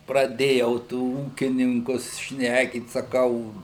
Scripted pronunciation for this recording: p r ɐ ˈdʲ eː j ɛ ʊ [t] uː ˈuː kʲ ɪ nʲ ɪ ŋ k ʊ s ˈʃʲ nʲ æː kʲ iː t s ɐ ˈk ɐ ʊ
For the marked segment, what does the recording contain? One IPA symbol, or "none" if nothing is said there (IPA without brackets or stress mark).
t